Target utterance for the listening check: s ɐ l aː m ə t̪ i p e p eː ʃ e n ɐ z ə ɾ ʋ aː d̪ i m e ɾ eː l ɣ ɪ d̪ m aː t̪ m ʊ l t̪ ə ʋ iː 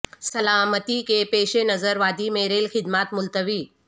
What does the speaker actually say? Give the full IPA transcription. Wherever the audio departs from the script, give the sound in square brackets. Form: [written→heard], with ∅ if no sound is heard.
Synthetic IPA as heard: s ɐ l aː m ə t̪ i [p→k] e p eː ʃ e n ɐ z ə ɾ ʋ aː d̪ i m e ɾ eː l [ɣ→x] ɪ d̪ m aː t̪ m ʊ l t̪ ə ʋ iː